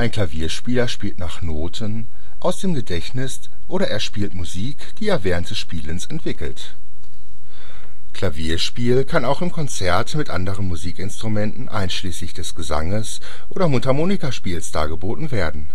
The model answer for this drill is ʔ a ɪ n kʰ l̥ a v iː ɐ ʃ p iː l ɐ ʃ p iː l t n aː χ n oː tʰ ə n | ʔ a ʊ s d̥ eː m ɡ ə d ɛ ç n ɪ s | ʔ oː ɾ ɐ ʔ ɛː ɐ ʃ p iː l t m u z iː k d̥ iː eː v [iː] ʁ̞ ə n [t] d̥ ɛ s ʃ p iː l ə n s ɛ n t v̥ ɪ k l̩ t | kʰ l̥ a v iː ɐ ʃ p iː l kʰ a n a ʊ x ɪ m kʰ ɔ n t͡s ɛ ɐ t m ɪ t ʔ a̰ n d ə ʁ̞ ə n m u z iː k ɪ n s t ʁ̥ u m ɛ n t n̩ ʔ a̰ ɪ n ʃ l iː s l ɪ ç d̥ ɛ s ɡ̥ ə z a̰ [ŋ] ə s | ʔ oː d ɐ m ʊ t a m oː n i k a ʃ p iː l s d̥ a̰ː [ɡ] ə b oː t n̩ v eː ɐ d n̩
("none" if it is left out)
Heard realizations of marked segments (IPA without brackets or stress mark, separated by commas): ɛː, t, ŋ, ɡ